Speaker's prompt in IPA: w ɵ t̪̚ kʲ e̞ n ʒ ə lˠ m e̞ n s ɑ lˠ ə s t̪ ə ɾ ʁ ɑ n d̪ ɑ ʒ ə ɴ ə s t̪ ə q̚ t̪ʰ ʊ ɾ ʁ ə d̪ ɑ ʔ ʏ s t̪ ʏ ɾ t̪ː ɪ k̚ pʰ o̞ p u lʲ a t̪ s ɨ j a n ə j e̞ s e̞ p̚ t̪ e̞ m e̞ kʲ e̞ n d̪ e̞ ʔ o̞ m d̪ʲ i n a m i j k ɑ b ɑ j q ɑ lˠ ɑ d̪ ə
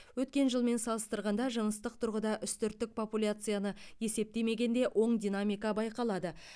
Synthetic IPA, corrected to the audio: w ɵ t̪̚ kʲ e̞ n ʒ ə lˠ m e̞ n s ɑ lˠ ə s t̪ ə ɾ ʁ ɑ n d̪ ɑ ʒ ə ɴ ə s t̪ ə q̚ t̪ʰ ʊ ɾ ʁ ə d̪ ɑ ʔ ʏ s t̪ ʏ ɾ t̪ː ɪ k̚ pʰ o̞ p u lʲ a t̪ s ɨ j a n ə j e̞ s e̞ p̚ t̪ e̞ m e̞ ɡʲ e̞ n d̪ e̞ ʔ o̞ ɴ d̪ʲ i n a m i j k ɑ b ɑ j q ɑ lˠ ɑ d̪ ə